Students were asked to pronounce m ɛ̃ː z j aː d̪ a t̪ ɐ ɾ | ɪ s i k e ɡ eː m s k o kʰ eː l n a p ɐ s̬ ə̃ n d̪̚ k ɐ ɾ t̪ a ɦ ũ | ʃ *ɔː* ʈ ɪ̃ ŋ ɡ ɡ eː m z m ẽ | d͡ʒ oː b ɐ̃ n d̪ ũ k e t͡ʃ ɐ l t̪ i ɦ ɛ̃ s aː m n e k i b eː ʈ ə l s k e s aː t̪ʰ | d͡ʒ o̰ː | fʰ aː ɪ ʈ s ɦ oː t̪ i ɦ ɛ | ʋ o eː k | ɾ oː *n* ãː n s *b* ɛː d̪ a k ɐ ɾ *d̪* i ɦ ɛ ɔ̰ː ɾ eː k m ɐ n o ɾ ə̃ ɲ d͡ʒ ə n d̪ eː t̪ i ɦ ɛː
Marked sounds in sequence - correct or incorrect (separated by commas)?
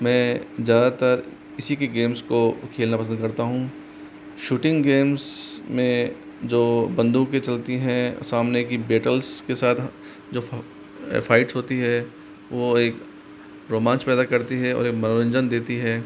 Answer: incorrect, incorrect, incorrect, incorrect